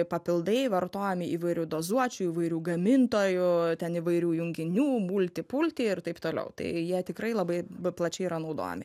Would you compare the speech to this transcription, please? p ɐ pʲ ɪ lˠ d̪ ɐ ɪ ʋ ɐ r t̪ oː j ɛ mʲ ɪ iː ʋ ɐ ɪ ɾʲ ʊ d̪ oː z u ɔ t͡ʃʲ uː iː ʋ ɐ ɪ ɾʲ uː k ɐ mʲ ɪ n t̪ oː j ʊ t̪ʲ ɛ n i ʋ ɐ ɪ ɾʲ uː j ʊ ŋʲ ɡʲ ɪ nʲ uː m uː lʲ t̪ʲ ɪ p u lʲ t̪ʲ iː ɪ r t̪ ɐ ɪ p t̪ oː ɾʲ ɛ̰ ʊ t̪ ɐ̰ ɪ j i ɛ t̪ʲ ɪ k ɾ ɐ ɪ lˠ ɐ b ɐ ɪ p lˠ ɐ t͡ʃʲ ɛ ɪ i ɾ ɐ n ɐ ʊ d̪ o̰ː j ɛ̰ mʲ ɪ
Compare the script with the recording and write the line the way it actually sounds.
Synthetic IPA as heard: p ɐ pʲ ɪ lˠ d̪ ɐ ɪ ʋ ɐ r t̪ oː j ɛ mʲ ɪ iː ʋ ɐ ɪ ɾʲ ʊ d̪ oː z u ɔ t͡ʃʲ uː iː ʋ ɐ ɪ ɾʲ uː ɡ ɐ mʲ ɪ n t̪ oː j ʊ t̪ʲ ɛ n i ʋ ɐ ɪ ɾʲ uː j ʊ ŋʲ ɡʲ ɪ nʲ uː m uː lʲ t̪ʲ ɪ p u lʲ t̪ʲ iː ɪ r t̪ ɐ ɪ p t̪ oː lʲ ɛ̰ ʊ t̪ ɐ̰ ɪ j i ɛ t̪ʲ ɪ k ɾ ɐ ɪ lˠ ɐ b ɐ ɪ p lˠ ɐ t͡ʃʲ ɛ ɪ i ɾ ɐ n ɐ ʊ d̪ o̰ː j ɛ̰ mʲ ɪ